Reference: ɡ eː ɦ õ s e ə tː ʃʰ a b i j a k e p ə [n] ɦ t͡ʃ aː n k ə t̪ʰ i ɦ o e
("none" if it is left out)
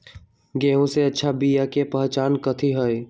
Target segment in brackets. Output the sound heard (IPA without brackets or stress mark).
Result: none